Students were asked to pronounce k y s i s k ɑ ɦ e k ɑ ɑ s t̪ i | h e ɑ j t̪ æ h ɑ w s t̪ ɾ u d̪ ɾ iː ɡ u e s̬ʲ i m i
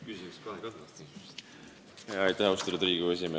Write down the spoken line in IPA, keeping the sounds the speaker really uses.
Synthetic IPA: k y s i s k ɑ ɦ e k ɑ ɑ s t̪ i | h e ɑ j t̪ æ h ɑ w s t̪ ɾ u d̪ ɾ iː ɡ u e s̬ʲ i m e